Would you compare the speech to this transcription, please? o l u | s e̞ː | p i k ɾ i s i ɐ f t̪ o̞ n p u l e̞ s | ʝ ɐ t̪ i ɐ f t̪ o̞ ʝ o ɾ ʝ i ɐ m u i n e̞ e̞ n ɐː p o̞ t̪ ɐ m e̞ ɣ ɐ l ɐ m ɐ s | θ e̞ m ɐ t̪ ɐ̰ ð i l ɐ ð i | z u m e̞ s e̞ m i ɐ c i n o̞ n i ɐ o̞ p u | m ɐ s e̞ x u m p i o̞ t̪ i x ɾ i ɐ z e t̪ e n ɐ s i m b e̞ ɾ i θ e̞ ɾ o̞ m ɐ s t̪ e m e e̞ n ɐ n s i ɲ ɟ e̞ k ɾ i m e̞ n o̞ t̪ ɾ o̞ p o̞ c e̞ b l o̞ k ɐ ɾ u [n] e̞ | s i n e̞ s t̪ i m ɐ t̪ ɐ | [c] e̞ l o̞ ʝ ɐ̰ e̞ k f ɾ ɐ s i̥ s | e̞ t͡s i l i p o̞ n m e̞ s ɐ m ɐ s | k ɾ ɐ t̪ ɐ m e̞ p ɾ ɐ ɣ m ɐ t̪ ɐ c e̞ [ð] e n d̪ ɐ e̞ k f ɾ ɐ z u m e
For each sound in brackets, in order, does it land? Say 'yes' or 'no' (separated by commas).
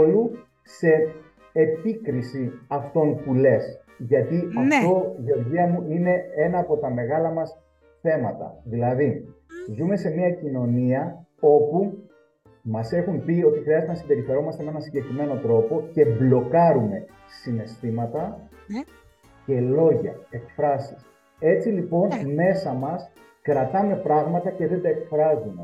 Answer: no, yes, yes